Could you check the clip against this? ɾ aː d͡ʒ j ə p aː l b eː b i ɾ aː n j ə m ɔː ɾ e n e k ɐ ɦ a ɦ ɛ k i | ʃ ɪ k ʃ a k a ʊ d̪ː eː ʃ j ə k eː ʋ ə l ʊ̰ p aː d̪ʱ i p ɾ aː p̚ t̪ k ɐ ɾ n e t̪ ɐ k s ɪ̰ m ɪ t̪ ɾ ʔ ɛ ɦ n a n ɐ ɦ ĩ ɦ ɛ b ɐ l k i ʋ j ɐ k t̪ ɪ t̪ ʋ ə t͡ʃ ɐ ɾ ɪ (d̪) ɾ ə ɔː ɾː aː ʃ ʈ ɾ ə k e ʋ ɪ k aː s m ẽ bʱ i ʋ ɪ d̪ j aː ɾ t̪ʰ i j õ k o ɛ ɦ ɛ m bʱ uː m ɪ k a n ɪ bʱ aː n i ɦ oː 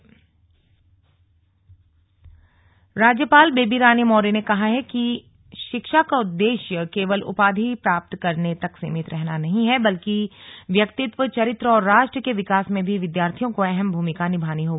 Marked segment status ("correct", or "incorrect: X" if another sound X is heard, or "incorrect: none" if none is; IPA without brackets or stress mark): incorrect: t̪